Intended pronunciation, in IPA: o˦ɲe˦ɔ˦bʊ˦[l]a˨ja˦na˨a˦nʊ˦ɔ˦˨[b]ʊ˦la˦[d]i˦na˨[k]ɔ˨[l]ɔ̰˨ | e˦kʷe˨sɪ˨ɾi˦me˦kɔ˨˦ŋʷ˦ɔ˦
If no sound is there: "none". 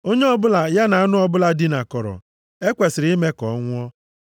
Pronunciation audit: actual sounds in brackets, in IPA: l, b, d, k, ɾ

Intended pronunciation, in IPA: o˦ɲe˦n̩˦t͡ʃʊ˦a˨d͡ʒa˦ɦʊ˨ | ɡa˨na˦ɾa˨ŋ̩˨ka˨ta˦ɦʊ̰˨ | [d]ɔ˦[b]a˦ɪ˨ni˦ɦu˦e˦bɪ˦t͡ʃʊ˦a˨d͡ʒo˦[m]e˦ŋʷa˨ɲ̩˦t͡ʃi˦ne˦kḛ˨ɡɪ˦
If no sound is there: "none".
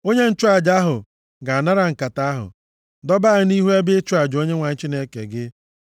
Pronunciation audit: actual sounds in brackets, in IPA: d, b, ɲ

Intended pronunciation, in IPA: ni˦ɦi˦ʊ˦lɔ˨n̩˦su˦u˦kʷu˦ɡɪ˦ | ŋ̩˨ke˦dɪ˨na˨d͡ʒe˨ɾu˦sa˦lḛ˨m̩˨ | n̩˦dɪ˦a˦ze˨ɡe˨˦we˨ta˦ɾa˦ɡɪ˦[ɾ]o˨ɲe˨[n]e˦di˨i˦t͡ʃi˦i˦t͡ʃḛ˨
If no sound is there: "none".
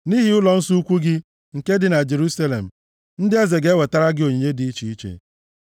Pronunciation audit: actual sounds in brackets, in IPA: none, ɲ

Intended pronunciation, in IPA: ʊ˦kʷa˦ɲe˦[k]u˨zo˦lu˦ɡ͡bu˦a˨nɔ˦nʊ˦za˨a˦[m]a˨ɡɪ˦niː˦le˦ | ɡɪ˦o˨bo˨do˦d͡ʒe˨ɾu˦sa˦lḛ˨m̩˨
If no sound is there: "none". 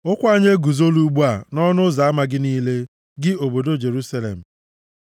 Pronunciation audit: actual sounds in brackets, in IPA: ɡ, m

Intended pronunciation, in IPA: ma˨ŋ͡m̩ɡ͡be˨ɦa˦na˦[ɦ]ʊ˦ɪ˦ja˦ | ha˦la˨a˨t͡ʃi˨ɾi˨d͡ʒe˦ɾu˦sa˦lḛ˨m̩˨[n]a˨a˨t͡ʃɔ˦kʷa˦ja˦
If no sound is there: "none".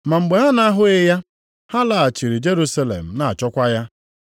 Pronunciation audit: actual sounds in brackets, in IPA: ɦ, n

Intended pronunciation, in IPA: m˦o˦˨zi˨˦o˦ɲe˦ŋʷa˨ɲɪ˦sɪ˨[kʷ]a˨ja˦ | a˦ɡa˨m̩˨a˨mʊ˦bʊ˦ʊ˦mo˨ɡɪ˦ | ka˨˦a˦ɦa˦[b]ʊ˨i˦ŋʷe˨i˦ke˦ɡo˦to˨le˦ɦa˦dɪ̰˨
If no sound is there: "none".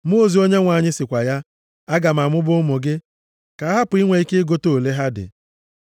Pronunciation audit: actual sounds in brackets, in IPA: kʷ, p

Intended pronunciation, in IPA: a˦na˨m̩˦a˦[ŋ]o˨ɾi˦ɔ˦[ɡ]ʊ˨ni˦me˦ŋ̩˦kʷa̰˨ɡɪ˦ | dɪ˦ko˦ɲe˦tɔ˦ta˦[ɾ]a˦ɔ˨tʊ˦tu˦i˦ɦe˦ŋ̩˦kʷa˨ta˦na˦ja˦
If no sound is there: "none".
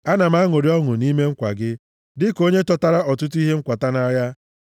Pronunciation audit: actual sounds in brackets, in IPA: ŋ, ŋ, ɾ

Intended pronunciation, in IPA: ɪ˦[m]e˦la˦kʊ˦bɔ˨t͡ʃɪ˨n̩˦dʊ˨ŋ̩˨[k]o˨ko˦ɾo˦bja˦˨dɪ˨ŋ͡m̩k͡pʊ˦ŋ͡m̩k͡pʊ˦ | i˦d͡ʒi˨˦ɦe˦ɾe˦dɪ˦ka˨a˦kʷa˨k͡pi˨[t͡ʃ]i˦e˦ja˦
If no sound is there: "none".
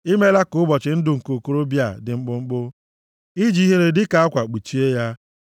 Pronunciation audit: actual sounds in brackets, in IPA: m, k, t͡ʃ

